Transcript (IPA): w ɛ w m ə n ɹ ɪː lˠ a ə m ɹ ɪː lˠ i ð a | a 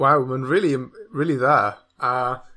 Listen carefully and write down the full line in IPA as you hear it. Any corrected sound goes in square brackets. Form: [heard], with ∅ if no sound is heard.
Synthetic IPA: w [a] w m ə n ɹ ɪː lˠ [i] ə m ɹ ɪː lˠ i ð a | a